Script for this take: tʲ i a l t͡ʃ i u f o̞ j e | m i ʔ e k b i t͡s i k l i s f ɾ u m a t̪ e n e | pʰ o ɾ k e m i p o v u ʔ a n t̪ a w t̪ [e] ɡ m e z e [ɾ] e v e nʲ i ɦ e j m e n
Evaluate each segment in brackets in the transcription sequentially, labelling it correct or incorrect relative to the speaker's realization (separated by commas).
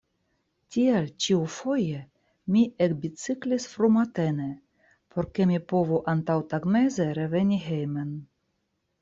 incorrect, correct